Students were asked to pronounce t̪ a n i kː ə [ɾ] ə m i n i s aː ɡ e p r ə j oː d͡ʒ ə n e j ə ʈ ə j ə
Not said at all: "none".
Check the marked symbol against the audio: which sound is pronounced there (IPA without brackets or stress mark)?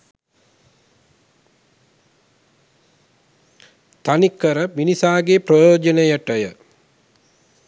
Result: ɾ